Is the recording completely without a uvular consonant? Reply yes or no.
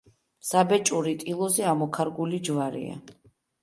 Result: yes